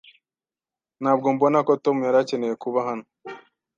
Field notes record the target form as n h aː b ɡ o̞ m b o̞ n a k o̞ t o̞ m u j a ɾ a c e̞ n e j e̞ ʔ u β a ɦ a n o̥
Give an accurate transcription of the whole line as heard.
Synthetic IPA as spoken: n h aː b ɡ o̞ m b o̞ n a k o̞ t o̞ m u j a ɾ a c e̞ n e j e̞ k u β a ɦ a n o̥